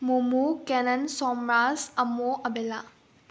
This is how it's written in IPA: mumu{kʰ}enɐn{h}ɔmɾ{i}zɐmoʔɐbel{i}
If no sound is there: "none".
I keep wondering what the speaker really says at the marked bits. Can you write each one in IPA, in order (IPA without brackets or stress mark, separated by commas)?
k, s, a, a